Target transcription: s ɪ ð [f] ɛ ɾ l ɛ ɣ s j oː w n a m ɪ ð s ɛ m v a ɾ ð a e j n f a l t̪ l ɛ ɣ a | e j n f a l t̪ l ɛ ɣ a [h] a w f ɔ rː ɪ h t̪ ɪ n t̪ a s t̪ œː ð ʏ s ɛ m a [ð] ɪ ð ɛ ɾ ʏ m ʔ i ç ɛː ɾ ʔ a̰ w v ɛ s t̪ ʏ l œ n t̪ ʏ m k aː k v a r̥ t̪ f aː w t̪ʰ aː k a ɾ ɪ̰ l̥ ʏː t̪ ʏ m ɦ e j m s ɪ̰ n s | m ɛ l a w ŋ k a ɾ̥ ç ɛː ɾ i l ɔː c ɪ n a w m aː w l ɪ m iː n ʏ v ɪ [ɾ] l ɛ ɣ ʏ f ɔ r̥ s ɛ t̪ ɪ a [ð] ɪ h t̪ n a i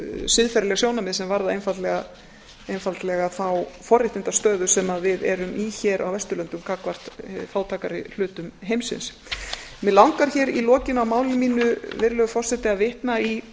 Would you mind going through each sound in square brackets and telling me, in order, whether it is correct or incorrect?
correct, incorrect, incorrect, correct, incorrect

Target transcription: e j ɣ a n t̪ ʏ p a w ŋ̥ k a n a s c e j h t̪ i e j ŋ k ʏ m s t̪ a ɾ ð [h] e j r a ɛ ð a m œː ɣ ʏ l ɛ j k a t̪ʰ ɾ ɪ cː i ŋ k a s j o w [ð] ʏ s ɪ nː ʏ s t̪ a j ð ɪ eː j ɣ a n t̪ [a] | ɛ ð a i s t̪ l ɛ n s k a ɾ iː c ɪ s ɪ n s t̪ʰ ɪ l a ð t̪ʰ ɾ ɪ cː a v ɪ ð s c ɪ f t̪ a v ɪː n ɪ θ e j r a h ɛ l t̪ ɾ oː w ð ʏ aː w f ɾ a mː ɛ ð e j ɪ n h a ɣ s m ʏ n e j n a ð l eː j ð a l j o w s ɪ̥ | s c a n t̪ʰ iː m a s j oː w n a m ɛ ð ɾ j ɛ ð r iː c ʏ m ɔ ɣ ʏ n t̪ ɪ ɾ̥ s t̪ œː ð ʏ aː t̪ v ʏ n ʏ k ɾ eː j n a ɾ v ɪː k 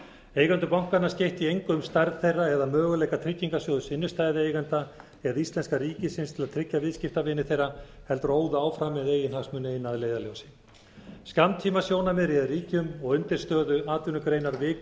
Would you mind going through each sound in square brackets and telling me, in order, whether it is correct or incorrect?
incorrect, correct, correct

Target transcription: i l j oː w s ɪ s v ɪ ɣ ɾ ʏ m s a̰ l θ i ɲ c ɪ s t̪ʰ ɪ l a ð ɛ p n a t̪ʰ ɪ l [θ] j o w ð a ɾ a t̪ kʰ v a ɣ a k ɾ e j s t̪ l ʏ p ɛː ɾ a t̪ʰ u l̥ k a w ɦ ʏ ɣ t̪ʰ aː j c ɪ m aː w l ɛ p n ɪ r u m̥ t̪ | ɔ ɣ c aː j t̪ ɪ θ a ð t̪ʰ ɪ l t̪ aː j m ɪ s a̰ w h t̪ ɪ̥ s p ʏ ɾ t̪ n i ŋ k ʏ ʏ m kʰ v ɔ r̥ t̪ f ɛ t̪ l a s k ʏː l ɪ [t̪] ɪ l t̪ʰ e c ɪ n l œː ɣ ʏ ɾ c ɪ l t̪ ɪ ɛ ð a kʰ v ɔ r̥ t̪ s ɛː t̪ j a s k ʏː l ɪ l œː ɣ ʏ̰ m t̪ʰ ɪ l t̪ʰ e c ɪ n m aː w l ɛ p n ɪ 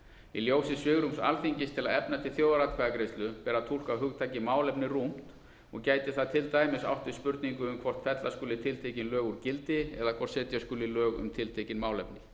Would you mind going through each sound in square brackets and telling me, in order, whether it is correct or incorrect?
correct, incorrect

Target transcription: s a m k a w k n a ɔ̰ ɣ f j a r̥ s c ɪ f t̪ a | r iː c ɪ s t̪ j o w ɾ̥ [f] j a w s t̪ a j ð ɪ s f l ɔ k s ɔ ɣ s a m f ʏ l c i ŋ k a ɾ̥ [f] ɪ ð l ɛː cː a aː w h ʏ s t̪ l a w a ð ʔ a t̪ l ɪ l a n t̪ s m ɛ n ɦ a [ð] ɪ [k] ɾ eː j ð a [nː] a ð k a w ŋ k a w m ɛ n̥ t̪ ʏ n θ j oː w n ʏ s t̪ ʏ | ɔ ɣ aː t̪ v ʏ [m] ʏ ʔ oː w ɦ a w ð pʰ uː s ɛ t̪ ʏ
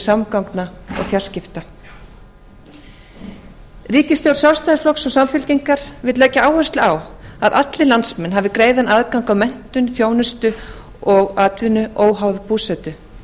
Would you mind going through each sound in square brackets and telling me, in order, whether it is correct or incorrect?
incorrect, incorrect, incorrect, correct, incorrect, incorrect

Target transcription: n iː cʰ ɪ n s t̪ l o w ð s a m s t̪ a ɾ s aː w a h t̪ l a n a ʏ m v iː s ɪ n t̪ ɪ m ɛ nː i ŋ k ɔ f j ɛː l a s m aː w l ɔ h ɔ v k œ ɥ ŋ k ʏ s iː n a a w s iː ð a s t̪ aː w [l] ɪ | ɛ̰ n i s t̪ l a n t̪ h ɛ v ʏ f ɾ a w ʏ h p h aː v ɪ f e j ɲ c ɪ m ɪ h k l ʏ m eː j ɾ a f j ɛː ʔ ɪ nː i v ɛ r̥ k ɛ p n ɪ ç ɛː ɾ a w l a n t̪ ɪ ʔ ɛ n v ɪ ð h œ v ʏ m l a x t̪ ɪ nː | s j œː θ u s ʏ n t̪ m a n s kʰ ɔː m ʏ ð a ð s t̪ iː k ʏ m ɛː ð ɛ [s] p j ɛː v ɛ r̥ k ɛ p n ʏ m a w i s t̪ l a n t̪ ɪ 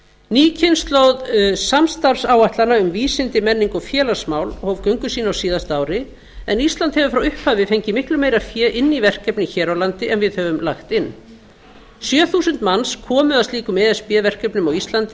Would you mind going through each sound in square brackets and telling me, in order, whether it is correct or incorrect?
incorrect, correct

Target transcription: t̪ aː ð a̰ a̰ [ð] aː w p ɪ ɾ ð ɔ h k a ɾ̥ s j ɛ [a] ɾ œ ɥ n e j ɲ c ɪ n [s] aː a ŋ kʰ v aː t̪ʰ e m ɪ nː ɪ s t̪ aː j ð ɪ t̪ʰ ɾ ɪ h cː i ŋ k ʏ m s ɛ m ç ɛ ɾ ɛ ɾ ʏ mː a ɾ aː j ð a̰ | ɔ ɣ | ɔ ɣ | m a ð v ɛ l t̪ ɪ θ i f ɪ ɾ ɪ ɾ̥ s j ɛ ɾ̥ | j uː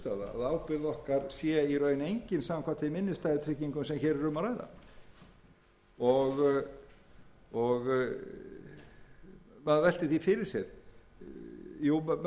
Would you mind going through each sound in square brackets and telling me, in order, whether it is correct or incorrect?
correct, incorrect, correct

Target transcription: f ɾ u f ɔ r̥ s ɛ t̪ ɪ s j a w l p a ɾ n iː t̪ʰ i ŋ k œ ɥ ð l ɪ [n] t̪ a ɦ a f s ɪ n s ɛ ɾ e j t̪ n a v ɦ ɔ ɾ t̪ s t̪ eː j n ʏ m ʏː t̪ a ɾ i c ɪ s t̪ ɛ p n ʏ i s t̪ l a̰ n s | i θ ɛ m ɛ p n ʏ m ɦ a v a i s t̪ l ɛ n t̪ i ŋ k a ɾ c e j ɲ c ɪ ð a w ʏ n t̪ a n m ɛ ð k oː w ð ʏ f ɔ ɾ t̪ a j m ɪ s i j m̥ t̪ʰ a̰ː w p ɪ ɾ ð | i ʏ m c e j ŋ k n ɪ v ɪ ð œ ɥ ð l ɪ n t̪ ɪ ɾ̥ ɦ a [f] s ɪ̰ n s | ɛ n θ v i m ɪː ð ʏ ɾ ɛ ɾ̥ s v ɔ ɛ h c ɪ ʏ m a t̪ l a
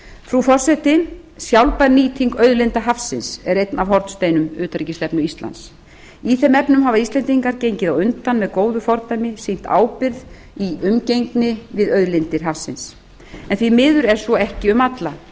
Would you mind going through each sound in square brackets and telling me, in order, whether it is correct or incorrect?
correct, correct

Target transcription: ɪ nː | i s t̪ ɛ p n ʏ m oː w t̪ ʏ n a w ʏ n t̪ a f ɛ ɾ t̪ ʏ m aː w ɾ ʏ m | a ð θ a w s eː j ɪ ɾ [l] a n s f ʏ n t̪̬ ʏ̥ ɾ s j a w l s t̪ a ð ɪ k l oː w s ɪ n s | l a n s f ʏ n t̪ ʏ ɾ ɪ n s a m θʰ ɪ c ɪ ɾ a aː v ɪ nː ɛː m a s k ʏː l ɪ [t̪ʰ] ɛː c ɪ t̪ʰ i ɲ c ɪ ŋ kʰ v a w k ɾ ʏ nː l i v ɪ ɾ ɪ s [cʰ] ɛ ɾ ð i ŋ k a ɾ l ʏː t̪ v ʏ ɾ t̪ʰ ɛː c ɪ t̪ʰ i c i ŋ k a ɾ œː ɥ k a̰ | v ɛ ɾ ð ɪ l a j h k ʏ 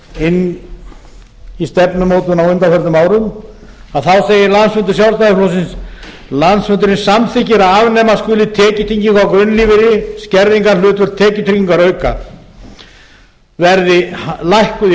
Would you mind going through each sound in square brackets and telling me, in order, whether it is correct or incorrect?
correct, correct, incorrect

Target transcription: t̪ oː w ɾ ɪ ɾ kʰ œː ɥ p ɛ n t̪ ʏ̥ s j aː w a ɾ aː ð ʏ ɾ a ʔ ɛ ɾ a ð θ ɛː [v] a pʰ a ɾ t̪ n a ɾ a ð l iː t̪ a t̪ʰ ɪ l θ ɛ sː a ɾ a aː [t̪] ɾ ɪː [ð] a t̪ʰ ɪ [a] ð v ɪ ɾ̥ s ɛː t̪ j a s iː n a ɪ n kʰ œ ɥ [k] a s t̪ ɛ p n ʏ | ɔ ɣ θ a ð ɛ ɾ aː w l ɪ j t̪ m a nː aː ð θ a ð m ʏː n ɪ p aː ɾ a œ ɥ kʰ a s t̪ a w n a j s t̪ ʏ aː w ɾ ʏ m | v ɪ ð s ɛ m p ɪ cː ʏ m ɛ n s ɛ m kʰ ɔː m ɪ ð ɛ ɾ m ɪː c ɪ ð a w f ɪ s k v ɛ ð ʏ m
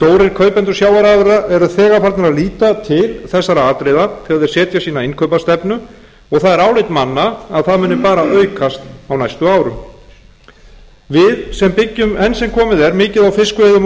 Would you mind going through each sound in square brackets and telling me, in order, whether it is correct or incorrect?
incorrect, correct, correct, correct, incorrect

